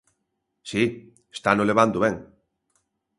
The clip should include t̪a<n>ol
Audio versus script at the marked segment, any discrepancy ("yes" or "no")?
no